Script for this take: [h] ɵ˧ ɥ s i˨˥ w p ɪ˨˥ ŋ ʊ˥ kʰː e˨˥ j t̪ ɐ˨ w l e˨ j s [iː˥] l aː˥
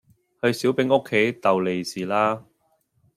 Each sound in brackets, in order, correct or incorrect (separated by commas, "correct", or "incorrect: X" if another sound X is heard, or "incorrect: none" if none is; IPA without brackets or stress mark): correct, incorrect: iː˨˩